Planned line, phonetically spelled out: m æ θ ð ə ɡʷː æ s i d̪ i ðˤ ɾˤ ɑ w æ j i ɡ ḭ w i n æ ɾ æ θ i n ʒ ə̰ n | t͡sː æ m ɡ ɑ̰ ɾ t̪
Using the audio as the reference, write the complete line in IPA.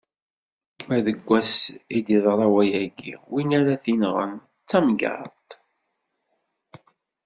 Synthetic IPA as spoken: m æ ð ə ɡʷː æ s i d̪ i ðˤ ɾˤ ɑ w æ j æ ɡ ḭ w i n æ ɾ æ θ i n ʁ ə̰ n | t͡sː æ m ɡ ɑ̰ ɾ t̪